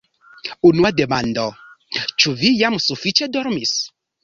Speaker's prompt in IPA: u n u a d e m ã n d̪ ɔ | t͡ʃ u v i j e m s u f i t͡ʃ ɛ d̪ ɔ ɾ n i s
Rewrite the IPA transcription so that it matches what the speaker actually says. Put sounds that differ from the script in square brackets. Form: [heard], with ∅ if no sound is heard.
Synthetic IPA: u n u a d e m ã n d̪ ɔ | t͡ʃ u v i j [a] m s u f i t͡ʃ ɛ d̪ ɔ ɾ [m] i s